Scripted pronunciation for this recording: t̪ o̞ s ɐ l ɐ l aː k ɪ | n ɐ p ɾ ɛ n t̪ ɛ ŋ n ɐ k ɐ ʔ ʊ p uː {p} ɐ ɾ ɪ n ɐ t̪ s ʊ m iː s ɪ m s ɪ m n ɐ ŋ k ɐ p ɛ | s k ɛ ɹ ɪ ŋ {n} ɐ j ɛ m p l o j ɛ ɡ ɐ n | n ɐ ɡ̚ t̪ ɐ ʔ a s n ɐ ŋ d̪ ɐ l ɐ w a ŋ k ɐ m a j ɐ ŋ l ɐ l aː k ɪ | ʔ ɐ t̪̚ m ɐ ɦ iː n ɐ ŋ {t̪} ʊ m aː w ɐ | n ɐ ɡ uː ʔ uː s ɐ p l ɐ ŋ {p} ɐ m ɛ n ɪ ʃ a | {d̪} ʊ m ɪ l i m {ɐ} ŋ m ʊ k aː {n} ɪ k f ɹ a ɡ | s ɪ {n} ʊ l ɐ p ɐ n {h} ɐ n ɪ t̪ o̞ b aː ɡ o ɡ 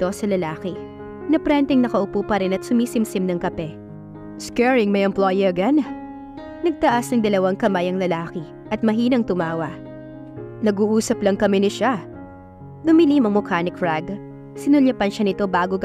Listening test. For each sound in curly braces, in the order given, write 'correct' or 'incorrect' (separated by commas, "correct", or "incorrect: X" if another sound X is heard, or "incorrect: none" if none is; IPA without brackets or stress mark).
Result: correct, incorrect: m, correct, incorrect: k, correct, correct, correct, correct, incorrect: ʃ